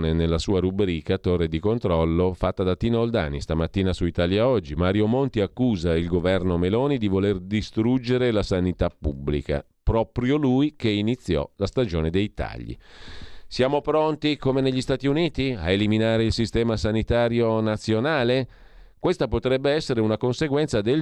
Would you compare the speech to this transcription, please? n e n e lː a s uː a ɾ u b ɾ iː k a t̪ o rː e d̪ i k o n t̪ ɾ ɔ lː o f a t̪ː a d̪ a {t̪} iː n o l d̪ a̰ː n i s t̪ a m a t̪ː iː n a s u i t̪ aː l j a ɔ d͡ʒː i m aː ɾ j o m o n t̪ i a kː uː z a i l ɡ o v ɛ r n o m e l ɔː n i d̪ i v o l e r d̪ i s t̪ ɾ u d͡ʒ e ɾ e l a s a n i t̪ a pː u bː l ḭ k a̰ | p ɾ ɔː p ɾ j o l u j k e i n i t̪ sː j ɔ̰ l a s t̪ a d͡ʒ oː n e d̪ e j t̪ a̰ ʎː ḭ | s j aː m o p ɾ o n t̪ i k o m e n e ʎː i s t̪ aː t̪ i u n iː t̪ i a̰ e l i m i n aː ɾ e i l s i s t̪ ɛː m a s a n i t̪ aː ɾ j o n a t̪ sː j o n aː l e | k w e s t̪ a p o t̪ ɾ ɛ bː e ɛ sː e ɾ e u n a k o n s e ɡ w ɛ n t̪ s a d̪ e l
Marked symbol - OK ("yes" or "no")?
yes